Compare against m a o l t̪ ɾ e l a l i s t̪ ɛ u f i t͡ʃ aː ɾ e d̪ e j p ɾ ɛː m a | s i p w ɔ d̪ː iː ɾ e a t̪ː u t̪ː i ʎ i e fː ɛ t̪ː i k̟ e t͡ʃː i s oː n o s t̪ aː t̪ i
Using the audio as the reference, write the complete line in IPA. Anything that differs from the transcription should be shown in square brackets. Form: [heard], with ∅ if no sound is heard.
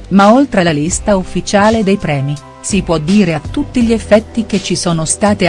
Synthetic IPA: m a o l t̪ ɾ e l a l i s t̪ [a] u [fː] i t͡ʃ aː [l] e d̪ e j p ɾ ɛː m [i] | s i p w ɔ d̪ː iː ɾ e a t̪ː u t̪ː i ʎ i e fː ɛ t̪ː i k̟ e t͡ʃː i s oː n o s t̪ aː t̪ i